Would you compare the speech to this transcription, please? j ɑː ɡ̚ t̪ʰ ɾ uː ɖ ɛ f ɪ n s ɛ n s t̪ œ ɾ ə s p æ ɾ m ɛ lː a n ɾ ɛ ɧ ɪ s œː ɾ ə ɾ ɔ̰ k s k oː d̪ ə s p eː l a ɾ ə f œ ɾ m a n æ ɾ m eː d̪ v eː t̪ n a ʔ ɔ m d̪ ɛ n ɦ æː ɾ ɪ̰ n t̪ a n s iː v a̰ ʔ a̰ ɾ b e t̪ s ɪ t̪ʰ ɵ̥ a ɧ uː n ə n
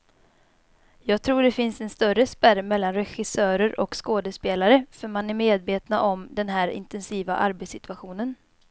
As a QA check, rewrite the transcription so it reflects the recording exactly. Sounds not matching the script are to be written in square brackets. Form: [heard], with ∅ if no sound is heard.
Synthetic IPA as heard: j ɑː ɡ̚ t̪ʰ ɾ uː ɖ ɛ f ɪ n s ɛ n s t̪ œ ɾ ə s p æ ɾ m ɛ lː a n ɾ ɛ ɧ ɪ s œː ɾ ə ɾ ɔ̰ k s k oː d̪ ə s p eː l a ɾ ə f œ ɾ m a n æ ɾ m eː d̪ v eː t̪ n a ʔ ɔ m d̪ ɛ n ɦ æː ɾ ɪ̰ n t̪ [ɛ] n s iː v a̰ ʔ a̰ ɾ b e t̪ s ɪ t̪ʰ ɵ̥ a ɧ uː n ə n